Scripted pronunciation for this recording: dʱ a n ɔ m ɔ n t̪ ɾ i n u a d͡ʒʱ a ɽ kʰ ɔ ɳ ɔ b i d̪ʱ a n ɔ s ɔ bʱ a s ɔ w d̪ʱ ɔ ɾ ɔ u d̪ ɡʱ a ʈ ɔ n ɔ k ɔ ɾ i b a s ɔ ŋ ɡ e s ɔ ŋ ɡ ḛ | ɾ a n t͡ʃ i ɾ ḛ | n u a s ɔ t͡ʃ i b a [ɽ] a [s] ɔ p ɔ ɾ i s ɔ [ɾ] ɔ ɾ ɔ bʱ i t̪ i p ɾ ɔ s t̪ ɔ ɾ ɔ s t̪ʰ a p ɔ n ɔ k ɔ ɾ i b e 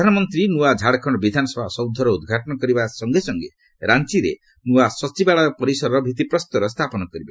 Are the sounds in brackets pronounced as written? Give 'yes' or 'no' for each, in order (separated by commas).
no, no, yes